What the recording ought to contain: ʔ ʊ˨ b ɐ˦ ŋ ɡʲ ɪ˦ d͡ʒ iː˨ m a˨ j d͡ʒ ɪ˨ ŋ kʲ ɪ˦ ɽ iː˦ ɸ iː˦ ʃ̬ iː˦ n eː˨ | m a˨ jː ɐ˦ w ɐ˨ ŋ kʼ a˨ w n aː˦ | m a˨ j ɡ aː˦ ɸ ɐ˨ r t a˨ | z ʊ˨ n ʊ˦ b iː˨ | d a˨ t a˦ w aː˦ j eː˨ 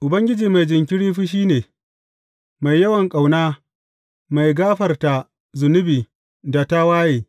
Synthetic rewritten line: ʔ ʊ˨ b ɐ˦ ŋ ɡʲ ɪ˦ d͡ʒ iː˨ m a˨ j d͡ʒ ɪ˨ ŋ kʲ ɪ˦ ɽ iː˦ ɸ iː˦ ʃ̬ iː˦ n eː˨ | m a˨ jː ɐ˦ w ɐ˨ ŋ kʼ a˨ w n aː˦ | m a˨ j ɡ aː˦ ɸ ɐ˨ r t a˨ | z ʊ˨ n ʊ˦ b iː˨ | d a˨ t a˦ w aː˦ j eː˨

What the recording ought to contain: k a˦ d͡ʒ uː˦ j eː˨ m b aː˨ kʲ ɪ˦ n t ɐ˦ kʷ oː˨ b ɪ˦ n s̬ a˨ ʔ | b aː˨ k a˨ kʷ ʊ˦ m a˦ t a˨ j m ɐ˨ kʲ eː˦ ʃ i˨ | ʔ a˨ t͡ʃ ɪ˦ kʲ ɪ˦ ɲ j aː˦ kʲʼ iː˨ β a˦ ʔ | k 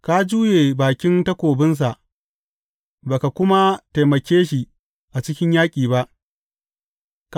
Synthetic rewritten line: k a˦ d͡ʒ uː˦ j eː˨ b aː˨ kʲ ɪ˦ n t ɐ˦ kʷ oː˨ b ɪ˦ n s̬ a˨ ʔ | b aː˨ k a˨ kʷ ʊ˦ m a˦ t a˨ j m ɐ˨ kʲ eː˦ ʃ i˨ | ʔ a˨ t͡ʃ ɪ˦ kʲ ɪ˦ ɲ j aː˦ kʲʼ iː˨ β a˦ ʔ | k

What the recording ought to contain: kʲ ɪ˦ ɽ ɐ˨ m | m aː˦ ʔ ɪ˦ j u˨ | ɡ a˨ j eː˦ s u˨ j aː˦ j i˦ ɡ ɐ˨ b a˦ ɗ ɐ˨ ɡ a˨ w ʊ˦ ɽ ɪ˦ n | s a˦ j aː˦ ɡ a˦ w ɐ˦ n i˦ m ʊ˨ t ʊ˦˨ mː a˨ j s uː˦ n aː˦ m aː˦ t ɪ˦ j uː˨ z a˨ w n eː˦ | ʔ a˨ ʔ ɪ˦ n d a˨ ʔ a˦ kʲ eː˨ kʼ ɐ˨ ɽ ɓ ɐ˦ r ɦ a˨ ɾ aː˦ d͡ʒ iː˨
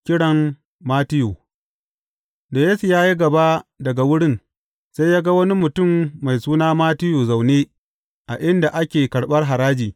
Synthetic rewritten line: kʲ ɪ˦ ɽ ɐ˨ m | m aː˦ t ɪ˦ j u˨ | d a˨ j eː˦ s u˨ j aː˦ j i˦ ɡ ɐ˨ b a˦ d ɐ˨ ɡ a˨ w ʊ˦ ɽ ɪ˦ n | s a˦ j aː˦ ɡ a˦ w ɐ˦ n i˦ m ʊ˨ t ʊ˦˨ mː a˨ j s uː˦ n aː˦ m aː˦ t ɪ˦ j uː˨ z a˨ w n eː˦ | ʔ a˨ ʔ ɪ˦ n d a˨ ʔ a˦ kʲ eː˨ k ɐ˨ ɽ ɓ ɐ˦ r ɦ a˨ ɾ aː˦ d͡ʒ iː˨

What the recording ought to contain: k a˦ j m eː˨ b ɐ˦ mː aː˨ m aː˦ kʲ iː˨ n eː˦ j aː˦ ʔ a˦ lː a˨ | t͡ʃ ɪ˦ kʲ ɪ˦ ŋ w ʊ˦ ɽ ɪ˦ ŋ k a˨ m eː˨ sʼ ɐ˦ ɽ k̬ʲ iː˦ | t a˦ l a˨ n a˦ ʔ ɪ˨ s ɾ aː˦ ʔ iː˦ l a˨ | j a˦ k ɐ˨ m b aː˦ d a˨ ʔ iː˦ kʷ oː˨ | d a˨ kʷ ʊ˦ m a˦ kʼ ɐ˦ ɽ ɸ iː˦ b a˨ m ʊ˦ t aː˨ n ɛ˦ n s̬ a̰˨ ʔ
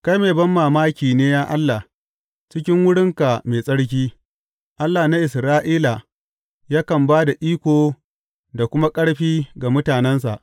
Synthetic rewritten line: k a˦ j m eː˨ b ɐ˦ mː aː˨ m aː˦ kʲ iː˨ n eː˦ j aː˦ ʔ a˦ lː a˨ | t͡ʃ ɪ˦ kʲ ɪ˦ ŋ w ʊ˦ ɽ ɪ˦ ŋ k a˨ m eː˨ sʼ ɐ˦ ɽ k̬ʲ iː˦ | ʔ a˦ lː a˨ n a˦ ʔ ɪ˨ s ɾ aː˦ ʔ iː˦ l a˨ | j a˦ k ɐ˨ m b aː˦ d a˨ ʔ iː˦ kʷ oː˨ | d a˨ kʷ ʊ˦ m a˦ kʼ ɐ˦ ɽ ɸ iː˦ ɡ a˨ m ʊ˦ t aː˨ n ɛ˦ n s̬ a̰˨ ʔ

